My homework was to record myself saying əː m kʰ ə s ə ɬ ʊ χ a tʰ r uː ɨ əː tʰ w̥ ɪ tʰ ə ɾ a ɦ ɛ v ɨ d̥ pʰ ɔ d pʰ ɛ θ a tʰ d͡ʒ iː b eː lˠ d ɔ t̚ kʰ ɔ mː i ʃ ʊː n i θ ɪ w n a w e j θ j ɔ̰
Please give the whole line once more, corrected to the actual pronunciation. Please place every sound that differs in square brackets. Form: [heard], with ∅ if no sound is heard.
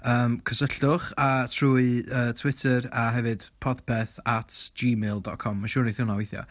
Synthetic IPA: əː m kʰ ə s ə ɬ ʊ χ a tʰ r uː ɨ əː tʰ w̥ ɪ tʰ ə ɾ a ɦ ɛ v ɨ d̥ pʰ ɔ d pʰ ɛ θ a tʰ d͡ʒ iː [m] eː lˠ d ɔ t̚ kʰ ɔ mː [a] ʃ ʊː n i θ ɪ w n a w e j θ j ɔ̰